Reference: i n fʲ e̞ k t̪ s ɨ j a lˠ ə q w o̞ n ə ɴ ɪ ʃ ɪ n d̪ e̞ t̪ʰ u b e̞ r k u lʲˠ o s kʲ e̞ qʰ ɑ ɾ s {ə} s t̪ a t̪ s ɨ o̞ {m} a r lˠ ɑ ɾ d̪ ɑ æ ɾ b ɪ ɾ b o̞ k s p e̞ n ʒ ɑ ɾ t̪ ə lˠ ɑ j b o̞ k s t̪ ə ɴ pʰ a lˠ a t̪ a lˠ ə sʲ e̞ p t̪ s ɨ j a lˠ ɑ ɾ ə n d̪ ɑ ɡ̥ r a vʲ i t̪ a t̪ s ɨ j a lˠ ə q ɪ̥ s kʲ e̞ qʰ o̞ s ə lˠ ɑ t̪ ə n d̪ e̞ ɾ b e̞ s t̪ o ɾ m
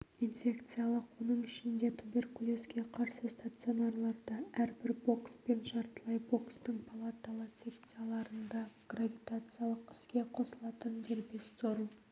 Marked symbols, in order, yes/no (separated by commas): yes, no